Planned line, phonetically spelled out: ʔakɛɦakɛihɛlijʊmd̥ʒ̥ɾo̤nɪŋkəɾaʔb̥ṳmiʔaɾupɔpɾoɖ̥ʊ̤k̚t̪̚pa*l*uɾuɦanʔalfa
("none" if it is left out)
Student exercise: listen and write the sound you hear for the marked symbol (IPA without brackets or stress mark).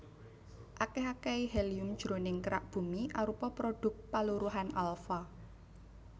l